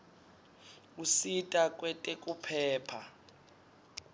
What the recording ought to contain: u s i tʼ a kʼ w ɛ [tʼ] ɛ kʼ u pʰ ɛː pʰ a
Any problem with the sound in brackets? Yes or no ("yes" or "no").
no